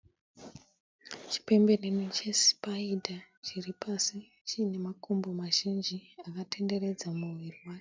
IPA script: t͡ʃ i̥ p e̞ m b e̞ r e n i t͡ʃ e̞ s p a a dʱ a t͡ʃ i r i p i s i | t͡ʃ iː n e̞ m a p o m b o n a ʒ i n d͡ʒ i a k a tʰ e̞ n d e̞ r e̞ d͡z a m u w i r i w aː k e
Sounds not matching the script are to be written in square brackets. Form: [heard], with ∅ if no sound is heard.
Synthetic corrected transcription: t͡ʃ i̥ p e̞ m b e̞ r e n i t͡ʃ e̞ s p a [i] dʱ a t͡ʃ i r i p [a] s i | t͡ʃ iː n e̞ m a [k] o m b o [m] a ʒ i n d͡ʒ i a k a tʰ e̞ n d e̞ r e̞ d͡z a m u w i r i w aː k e